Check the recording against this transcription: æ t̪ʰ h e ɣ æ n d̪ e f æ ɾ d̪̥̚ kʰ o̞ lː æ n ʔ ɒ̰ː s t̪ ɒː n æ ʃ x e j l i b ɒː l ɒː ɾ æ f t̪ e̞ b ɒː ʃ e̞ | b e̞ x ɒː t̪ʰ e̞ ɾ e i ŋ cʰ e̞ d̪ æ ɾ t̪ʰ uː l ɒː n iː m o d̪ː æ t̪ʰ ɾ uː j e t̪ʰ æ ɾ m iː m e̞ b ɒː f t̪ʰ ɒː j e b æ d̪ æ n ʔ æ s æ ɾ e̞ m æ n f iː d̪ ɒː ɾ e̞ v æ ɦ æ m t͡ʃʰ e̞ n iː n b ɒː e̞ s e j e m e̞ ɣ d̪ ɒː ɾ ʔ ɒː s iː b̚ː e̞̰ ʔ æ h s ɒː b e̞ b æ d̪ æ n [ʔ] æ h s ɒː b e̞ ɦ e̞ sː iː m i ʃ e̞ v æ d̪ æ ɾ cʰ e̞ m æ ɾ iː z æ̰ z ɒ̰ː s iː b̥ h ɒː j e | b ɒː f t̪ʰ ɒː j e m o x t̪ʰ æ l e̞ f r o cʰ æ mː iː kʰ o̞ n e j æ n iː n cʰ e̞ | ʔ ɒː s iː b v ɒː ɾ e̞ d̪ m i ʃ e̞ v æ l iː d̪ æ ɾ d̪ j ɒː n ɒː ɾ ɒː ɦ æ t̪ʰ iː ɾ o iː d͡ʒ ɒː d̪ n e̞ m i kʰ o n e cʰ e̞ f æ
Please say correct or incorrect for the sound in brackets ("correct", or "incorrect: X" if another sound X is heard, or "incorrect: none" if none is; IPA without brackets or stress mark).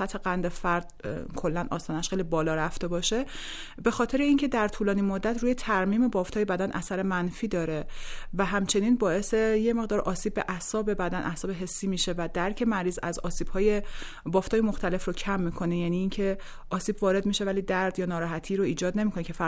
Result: correct